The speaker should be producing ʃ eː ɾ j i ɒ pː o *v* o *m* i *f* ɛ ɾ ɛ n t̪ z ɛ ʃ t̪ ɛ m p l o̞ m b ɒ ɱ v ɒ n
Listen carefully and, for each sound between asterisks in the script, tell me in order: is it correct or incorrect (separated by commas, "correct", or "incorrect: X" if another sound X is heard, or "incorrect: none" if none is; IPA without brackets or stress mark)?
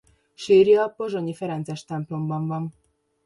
incorrect: ʒ, incorrect: ɲ, correct